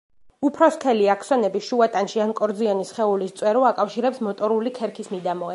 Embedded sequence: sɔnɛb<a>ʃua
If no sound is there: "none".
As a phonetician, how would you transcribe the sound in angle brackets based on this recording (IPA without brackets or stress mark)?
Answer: i